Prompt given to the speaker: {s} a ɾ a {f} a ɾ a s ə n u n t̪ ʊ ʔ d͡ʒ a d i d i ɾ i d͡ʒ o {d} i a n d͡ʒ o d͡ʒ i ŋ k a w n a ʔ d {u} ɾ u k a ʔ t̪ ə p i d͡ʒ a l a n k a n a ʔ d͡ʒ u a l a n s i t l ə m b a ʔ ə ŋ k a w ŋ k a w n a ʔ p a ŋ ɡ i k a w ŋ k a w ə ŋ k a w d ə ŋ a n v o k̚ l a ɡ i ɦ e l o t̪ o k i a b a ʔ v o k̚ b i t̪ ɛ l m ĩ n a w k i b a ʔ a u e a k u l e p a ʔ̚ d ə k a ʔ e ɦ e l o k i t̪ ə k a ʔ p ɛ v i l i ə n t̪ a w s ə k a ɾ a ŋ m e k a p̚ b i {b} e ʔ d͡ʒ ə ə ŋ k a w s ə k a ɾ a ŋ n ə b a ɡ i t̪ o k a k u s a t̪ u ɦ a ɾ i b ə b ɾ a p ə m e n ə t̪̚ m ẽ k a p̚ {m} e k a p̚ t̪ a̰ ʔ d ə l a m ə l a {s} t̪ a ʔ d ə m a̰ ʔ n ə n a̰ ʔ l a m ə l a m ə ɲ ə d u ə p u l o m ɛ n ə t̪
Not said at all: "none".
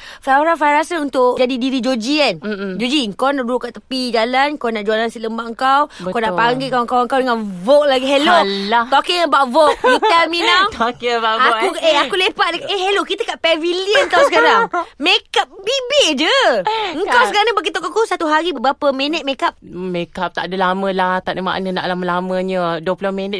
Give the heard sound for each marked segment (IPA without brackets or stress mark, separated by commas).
f, f, d͡ʒ, u, b, m, h